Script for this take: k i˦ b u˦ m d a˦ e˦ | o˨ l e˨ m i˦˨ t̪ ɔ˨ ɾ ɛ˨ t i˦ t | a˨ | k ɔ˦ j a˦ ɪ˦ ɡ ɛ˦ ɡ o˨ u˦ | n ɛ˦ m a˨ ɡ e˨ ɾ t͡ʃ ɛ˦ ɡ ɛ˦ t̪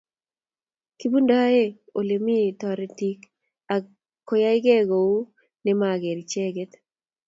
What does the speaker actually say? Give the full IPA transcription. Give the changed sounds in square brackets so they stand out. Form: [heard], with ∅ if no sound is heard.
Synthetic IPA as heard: k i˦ b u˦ [n] d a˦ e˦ | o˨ l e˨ m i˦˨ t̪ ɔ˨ ɾ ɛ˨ t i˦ [k] | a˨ | k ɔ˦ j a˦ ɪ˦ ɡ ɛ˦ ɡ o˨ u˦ | n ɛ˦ m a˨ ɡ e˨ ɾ t͡ʃ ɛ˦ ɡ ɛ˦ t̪